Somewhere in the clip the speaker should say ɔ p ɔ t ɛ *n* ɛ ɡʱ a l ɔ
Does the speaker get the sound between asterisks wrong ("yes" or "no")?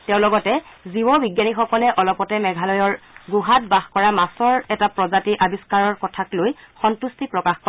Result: yes